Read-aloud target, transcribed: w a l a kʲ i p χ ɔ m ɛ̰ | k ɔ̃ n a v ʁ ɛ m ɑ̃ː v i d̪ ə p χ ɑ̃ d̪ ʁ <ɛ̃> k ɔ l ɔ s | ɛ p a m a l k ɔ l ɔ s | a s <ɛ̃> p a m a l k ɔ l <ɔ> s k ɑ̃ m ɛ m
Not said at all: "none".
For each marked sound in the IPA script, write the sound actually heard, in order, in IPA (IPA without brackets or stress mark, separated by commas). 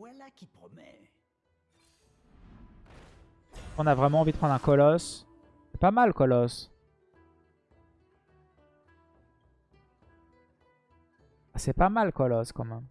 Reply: ɛ̃, ɛ, ɔ